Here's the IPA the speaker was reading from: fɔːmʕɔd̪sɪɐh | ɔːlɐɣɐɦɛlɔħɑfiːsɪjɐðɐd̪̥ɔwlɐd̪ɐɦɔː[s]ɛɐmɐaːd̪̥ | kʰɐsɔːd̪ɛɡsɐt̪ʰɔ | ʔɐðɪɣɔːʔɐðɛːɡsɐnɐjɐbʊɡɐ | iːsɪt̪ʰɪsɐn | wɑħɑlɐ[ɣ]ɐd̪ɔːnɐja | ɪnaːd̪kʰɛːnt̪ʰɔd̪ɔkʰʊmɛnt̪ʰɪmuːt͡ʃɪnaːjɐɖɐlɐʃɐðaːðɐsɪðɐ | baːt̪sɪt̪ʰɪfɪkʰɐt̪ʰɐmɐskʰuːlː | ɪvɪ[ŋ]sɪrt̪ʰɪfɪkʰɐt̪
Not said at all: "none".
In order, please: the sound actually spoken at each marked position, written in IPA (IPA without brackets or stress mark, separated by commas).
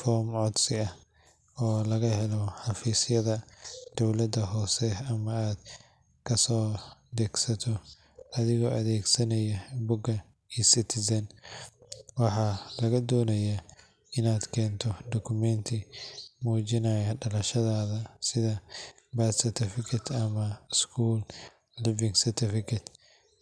s, ɣ, ŋ